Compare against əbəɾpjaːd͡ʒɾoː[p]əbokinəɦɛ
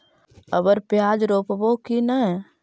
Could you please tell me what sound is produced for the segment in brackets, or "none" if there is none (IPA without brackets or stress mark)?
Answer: p